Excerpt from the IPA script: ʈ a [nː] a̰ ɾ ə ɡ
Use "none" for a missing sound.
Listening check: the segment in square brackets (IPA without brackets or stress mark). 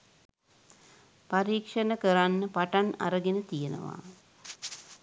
n